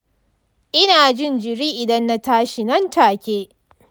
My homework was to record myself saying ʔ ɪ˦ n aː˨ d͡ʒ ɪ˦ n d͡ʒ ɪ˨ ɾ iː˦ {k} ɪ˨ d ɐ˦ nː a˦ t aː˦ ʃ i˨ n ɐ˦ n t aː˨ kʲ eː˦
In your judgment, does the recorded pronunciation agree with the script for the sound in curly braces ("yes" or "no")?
no